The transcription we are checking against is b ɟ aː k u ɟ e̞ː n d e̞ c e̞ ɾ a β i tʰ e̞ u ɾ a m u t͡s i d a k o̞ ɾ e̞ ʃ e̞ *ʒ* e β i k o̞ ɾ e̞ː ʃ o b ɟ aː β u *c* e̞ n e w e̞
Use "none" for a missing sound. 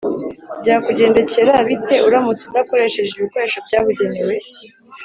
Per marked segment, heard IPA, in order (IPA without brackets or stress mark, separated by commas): ʒ, ɟ